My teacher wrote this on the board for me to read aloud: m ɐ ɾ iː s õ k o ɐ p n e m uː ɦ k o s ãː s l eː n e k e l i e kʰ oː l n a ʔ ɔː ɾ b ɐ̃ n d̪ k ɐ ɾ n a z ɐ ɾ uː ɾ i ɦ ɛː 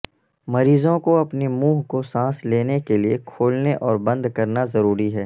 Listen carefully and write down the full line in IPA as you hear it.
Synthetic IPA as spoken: m ɐ ɾ iː z õ k o ɐ p n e m uː ɦ k o s ãː s l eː n e k e l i e kʰ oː l n e ʔ ɔː ɾ b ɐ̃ n d̪ k ɐ ɾ n a z ɐ ɾ uː ɾ i ɦ ɛː